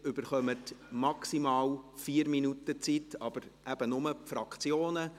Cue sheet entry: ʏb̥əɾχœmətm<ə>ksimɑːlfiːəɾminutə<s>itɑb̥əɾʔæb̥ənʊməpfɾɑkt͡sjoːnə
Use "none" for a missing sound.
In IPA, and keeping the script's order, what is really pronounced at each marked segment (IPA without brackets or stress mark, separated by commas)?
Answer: ɑ, t͡s